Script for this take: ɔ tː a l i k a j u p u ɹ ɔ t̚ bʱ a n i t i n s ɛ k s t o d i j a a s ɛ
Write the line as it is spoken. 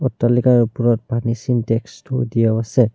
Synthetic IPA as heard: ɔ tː a l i k a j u p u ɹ ɔ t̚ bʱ a n i s i n t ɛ k s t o d i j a a s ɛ